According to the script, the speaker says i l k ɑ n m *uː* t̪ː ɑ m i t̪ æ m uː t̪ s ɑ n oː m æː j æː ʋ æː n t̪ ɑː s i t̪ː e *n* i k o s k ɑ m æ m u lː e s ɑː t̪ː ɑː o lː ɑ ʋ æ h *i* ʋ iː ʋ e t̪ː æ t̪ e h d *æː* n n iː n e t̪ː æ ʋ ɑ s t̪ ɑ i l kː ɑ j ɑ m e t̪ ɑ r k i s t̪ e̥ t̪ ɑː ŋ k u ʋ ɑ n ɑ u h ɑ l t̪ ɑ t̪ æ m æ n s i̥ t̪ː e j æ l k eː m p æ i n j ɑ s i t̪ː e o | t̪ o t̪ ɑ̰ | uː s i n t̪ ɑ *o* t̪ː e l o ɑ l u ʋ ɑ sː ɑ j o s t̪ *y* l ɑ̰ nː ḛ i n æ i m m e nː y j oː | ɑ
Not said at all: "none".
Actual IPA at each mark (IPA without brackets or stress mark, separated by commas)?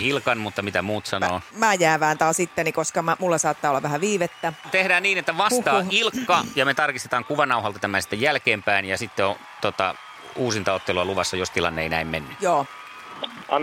u, n, æ, æː, o, i